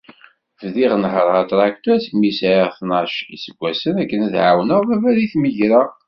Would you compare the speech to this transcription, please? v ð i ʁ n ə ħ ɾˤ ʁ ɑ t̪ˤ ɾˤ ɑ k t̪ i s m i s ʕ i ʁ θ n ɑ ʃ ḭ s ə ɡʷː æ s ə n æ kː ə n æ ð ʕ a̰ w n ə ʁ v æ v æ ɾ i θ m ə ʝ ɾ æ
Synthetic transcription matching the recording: v ð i ʁ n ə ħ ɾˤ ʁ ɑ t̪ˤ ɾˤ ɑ k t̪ æ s m i s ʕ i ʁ θ n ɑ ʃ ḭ s ə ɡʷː æ s ə n æ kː ə n æ ð ʕ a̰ w n ə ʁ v æ v æ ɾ i θ m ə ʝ ɾ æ